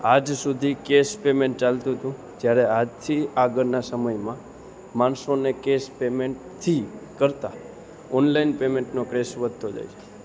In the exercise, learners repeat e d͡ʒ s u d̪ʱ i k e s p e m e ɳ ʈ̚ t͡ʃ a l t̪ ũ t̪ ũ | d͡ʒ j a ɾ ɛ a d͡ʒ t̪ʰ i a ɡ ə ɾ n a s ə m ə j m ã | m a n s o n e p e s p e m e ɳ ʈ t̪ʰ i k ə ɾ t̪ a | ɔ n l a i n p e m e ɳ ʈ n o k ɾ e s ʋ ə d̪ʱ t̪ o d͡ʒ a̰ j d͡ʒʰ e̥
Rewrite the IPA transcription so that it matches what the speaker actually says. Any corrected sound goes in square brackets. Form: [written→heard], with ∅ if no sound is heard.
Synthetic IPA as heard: [e→a] d͡ʒ s u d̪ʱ i k e s p e m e ɳ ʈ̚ t͡ʃ a l t̪ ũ t̪ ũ | d͡ʒ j a ɾ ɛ a d͡ʒ t̪ʰ i a ɡ ə ɾ n a s ə m ə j m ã | m a n s o n e [p→k] e s p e m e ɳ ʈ t̪ʰ i k ə ɾ t̪ a | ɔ n l a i n p e m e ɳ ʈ n o k ɾ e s ʋ ə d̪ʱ t̪ o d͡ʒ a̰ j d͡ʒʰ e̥